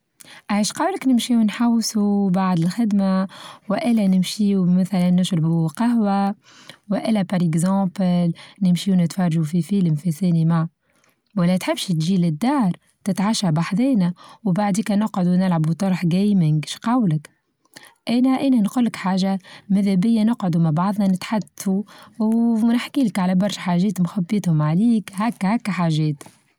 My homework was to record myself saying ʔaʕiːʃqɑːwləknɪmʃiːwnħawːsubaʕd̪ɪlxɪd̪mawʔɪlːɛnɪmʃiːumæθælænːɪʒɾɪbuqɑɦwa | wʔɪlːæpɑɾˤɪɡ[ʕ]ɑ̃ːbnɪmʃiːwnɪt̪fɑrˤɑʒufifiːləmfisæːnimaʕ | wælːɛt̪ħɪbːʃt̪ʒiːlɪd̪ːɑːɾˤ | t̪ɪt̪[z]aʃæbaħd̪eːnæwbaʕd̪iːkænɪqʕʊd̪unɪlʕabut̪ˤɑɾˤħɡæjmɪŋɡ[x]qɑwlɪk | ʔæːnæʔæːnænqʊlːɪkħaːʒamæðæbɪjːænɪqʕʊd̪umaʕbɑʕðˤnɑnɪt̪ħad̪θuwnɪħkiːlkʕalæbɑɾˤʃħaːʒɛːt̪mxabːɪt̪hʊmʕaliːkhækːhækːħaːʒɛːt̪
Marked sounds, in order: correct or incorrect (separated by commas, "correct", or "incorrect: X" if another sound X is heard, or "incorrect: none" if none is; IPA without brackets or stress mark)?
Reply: incorrect: z, incorrect: ʕ, incorrect: ʃ